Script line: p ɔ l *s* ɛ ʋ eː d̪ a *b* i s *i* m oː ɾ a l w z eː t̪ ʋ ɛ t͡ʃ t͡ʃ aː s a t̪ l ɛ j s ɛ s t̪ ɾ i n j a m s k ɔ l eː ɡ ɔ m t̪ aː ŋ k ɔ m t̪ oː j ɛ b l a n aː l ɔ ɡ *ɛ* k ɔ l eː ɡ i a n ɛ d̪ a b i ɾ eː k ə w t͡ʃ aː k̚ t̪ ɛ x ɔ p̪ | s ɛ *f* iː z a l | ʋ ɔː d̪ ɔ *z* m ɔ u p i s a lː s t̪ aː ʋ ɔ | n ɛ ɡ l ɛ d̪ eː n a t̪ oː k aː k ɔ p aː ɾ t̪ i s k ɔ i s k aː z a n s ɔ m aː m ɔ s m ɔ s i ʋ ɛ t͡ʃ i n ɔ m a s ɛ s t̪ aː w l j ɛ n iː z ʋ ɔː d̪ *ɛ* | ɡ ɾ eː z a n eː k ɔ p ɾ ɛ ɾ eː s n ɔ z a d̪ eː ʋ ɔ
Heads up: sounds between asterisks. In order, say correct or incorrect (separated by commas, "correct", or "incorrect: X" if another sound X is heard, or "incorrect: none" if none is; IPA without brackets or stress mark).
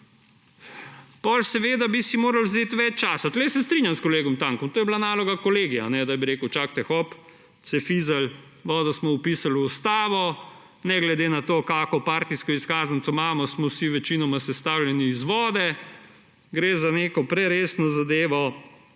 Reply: correct, correct, correct, incorrect: a, correct, incorrect: s, correct